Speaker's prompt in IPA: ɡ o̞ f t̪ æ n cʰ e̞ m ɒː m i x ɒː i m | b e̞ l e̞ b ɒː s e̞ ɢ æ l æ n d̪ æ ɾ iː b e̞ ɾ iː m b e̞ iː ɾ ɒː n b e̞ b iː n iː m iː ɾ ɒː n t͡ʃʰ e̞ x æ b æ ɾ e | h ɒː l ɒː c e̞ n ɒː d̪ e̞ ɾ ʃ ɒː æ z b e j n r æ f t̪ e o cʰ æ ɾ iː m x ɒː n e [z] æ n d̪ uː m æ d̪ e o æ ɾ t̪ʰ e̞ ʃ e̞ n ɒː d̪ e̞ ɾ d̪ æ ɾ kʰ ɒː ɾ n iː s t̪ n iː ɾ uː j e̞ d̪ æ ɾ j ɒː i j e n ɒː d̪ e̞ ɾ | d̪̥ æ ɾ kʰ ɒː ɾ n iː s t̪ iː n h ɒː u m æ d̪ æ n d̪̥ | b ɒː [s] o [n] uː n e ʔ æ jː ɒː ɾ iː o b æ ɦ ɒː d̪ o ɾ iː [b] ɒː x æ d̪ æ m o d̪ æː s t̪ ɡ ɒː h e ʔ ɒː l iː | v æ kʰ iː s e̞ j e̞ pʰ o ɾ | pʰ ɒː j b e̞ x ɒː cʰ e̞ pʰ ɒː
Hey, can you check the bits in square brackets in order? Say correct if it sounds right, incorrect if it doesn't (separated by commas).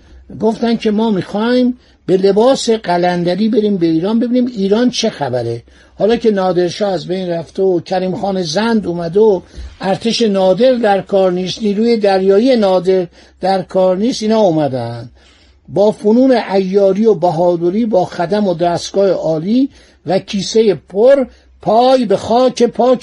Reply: correct, incorrect, correct, correct